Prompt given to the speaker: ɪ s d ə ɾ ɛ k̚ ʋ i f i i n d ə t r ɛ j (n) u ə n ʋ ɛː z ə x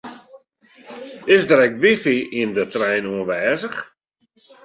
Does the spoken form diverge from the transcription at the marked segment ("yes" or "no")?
no